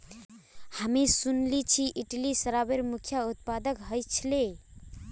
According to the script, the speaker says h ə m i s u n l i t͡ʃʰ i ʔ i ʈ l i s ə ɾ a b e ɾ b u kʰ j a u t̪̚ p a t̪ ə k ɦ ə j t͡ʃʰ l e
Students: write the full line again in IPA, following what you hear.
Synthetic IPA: h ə m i s u n l i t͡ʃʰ i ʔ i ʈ l i s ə ɾ a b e ɾ m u kʰ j a u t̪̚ p a d̪ ə k ɦ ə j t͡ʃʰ l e